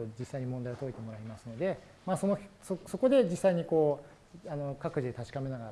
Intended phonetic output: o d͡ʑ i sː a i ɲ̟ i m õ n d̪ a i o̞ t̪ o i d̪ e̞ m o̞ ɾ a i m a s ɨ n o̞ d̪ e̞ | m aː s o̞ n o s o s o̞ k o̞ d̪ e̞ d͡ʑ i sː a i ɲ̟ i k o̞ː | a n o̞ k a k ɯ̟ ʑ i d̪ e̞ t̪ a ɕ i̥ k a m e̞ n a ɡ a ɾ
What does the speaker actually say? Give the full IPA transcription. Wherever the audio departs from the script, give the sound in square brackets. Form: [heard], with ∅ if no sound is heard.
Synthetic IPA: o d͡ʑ i sː a i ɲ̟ i m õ n d̪ a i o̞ t̪ o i [t̪] e̞ m o̞ ɾ a i m a s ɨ n o̞ d̪ e̞ | m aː s o̞ n o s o s o̞ k o̞ d̪ e̞ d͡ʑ i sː a i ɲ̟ i k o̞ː | a n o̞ k a k ɯ̟ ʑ i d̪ e̞ t̪ a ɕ i̥ k a m e̞ n a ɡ a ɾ